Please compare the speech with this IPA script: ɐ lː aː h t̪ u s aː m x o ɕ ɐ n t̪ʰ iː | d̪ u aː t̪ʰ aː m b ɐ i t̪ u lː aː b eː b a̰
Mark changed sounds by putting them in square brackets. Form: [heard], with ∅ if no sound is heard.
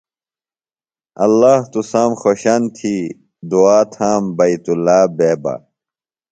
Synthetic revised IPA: ɐ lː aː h t̪ u s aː m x o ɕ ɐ n t̪ʰ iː | d̪ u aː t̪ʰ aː m b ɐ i t̪ u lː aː b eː b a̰